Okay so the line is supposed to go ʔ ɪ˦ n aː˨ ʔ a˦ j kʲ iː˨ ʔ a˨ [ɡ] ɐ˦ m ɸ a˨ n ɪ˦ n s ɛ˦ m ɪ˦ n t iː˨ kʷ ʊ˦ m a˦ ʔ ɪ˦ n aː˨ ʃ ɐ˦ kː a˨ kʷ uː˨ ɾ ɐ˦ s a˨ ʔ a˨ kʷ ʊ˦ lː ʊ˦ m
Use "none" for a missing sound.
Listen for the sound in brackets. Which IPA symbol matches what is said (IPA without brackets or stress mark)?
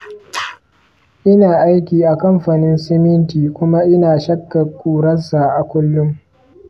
k